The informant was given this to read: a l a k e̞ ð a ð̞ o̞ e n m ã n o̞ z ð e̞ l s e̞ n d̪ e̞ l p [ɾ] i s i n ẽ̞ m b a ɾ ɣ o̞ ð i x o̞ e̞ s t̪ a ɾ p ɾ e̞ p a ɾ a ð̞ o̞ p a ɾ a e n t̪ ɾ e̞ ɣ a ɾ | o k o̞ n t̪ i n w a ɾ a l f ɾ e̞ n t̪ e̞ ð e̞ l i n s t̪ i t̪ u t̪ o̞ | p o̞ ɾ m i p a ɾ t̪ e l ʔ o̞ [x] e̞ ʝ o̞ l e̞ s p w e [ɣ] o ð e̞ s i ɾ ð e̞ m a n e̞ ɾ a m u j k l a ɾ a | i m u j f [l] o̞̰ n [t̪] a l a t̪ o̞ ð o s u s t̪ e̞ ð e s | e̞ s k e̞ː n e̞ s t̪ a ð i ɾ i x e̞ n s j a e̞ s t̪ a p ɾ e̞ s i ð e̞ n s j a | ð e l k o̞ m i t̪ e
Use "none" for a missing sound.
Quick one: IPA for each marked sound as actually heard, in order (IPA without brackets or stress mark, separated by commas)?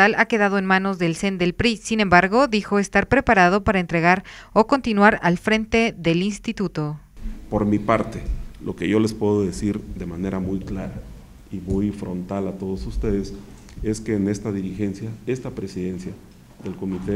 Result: ɾ, k, ð, ɾ, t̪